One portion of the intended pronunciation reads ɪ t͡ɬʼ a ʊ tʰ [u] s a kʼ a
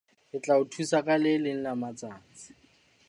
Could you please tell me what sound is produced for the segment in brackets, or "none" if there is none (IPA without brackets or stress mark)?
u